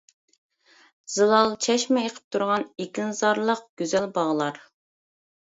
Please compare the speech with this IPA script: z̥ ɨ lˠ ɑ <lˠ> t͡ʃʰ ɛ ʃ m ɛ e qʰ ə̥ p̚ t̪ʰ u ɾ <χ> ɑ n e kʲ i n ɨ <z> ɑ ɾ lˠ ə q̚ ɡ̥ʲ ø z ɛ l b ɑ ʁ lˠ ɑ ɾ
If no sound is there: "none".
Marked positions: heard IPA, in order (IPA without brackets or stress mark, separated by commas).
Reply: lˠ, ʁ, z